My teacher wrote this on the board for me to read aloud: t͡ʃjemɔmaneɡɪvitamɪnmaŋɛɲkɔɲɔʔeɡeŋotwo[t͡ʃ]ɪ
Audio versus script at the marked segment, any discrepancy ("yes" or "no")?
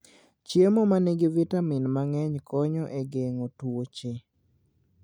no